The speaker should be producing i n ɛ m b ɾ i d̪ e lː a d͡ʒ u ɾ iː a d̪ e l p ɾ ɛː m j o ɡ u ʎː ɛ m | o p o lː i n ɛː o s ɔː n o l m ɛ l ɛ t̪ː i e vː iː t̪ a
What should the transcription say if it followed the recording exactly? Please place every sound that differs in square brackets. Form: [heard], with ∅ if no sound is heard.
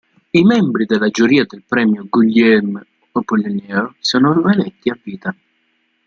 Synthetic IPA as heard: i [m] ɛ m b ɾ i d̪ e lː a d͡ʒ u ɾ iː a d̪ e l p ɾ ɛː m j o ɡ u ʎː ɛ m | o p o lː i n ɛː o s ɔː n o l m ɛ l ɛ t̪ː i [a] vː iː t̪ a

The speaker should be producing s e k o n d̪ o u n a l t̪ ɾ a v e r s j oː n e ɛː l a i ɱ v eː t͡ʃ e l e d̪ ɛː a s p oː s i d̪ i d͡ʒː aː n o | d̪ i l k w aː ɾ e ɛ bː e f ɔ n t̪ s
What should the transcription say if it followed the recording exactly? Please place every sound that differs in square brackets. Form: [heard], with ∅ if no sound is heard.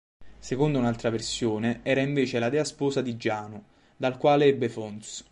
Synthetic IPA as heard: s e k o n d̪ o u n a l t̪ ɾ a v e r s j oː n e ɛː [ɾ] a i ɱ v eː t͡ʃ e l [a] d̪ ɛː a s p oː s [a] d̪ i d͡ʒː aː n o | d̪ [a] l k w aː [l] e ɛ bː e f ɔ n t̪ s

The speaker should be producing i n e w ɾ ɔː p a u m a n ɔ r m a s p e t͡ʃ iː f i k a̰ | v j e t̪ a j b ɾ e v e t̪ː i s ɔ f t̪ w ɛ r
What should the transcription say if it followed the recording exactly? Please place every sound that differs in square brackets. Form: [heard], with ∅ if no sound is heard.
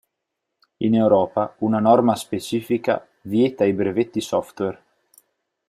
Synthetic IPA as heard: i n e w ɾ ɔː p a u [n] a n ɔ r m a s p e t͡ʃ iː f i k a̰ | v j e t̪ a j b ɾ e v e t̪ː i s ɔ f t̪ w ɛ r

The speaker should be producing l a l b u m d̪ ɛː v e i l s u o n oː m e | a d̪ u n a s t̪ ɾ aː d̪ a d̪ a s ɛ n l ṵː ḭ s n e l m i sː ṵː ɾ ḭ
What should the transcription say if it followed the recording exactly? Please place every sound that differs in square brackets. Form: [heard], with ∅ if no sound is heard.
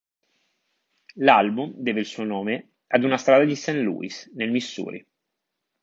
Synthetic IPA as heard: l a l b u m d̪ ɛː v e i l s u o n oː m e | a d̪ u n a s t̪ ɾ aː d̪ a d̪ [i] s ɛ n l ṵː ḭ s n e l m i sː ṵː ɾ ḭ

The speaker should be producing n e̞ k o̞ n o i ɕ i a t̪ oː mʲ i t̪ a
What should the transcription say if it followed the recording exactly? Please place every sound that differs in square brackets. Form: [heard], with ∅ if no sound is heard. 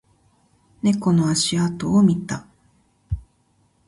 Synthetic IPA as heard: n e̞ k o̞ n o [a] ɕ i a t̪ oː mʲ i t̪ a

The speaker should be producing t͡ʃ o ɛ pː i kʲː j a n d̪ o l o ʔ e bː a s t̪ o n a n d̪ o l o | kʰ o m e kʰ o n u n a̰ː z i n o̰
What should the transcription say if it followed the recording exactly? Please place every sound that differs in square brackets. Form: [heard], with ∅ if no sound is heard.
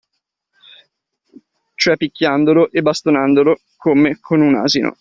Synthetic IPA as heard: t͡ʃ o ɛ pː i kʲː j a n d̪ o l o ʔ e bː a s t̪ o n a n d̪ o l o | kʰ o m e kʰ o n u n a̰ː z i n o̰

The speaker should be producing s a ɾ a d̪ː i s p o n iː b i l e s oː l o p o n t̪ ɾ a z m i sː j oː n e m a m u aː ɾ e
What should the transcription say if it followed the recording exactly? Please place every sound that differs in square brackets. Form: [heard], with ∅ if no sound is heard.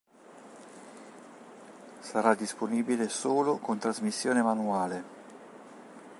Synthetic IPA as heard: s a ɾ a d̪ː i s p o n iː b i l e s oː l o [k] o n t̪ ɾ a z m i sː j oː n e m a [n] u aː [l] e

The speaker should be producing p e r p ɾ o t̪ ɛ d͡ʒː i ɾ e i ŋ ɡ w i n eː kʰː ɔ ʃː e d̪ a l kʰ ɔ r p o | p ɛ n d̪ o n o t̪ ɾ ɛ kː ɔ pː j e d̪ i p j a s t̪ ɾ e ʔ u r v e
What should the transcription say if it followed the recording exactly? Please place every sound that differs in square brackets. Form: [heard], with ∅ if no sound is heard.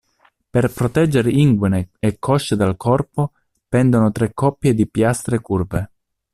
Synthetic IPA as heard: p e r p ɾ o t̪ ɛ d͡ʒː [e] ɾ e i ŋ ɡ w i n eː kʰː ɔ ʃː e d̪ a l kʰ ɔ r p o | p ɛ n d̪ o n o t̪ ɾ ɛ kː ɔ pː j e d̪ i p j a s t̪ ɾ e [k] u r v e

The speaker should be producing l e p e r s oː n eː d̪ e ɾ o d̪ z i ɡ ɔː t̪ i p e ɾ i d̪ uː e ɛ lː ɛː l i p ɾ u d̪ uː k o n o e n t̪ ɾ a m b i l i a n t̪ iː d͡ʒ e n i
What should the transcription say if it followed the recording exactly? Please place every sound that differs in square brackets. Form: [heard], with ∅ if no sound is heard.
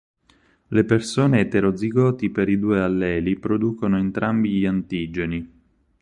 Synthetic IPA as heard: l e p e r s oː n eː [t̪] e ɾ o d̪ z i ɡ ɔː t̪ i p e ɾ i d̪ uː e [a] lː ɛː l i p ɾ [o] d̪ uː k o n o e n t̪ ɾ a m b i [ʎ] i a n t̪ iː d͡ʒ e n i

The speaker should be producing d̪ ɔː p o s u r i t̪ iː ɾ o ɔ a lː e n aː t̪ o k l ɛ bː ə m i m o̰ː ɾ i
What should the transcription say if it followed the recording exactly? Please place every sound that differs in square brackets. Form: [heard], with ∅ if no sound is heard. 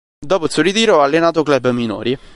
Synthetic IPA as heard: d̪ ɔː p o s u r i t̪ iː ɾ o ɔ a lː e n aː t̪ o k l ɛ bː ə m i [n] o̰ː ɾ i

